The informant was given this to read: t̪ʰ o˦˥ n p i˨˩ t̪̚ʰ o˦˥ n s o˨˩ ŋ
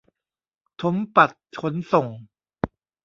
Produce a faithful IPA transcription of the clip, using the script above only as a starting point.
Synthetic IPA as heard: t̪ʰ o˦˥ m p a˨˩ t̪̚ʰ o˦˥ n s o˨˩ ŋ